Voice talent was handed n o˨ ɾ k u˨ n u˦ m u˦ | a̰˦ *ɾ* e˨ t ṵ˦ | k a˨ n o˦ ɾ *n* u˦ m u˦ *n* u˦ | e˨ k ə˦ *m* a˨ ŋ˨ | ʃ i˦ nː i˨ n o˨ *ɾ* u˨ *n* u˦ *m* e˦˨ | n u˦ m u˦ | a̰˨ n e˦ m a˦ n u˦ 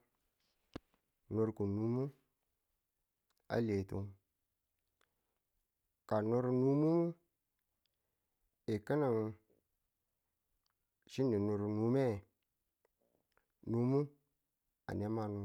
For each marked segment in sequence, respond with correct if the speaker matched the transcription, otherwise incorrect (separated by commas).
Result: incorrect, correct, incorrect, incorrect, correct, correct, correct